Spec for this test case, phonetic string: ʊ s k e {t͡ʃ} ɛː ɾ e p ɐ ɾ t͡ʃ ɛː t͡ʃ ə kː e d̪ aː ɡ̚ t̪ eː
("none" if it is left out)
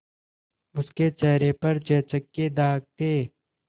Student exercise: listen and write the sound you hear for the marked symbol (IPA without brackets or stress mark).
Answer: t͡ʃ